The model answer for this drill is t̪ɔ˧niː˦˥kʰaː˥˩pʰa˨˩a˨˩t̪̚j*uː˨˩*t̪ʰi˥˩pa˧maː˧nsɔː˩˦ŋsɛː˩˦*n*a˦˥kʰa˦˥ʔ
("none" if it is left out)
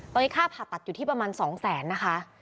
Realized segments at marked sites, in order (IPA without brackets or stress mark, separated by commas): u˨˩, nː